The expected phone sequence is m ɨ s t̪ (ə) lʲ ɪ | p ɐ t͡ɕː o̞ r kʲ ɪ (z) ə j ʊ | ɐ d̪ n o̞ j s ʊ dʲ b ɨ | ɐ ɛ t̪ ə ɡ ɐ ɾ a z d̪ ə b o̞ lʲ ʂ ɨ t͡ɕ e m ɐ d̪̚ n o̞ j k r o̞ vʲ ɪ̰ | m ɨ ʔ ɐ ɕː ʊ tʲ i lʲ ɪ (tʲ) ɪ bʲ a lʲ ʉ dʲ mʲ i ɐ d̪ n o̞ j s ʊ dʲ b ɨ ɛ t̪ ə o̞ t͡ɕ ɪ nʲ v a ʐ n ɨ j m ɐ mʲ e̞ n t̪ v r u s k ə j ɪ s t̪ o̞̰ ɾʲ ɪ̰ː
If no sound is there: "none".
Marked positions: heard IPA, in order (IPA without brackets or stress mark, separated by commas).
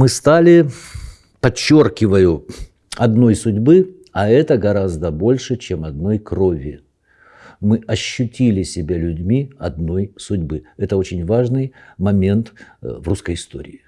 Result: a, v, sʲ